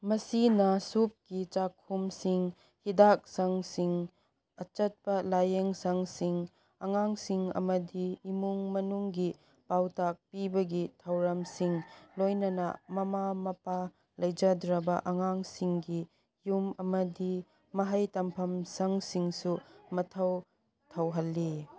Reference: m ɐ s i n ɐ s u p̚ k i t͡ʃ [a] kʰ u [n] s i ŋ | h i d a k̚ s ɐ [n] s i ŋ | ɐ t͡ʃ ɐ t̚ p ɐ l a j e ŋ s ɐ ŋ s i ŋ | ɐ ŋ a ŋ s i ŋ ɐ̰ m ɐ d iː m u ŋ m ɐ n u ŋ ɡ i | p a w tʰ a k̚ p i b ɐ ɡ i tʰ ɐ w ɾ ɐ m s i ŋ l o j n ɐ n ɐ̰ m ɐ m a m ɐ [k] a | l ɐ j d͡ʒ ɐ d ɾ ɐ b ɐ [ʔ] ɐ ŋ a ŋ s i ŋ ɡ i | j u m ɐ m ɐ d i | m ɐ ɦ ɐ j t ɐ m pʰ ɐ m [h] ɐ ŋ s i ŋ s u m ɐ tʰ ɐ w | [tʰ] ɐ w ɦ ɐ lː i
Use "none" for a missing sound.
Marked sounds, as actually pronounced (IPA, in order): a, m, ŋ, p, ʔ, s, tʰ

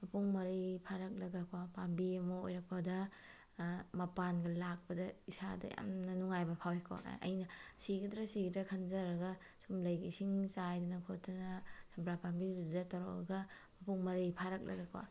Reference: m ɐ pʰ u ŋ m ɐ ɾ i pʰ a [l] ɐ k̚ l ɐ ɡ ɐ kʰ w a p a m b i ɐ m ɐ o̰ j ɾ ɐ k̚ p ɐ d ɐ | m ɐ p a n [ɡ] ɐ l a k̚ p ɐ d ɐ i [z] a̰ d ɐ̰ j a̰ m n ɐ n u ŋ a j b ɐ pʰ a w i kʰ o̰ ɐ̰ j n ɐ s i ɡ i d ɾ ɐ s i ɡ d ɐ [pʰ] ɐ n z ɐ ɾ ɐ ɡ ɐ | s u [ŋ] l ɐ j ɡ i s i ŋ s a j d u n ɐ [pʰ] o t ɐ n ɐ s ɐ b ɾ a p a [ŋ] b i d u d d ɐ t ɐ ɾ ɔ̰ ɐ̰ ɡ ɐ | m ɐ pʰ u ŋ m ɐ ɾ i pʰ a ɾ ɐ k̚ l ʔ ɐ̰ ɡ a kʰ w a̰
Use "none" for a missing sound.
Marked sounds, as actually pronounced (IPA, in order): ɾ, ɡ, s, kʰ, m, kʰ, m

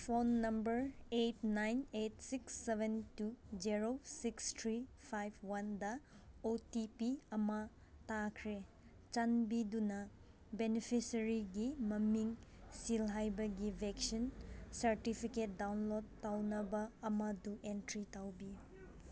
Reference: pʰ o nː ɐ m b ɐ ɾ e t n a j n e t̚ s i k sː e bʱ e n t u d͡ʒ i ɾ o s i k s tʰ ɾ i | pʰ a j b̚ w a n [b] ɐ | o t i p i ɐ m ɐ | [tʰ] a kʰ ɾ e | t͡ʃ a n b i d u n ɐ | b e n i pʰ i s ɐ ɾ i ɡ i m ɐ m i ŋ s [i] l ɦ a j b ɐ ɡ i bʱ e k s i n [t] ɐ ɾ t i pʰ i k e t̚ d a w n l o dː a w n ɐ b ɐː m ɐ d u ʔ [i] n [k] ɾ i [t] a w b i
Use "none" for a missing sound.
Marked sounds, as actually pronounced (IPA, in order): d, t, i, s, e, t, t

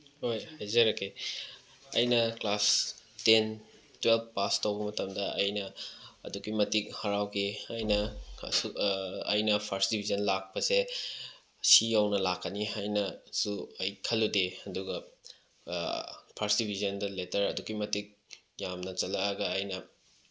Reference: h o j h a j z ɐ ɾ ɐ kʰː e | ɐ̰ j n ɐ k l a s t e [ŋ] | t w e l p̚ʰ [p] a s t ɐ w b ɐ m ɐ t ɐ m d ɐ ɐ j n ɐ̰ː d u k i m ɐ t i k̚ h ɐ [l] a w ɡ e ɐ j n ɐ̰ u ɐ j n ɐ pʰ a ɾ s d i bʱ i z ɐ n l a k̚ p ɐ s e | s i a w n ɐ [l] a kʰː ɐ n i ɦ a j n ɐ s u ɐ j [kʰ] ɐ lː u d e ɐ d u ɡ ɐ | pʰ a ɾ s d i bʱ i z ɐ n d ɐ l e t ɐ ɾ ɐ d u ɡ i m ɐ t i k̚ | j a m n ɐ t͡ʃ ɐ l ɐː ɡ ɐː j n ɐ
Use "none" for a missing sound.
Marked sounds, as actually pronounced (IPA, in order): n, p, ɾ, l, kʰ

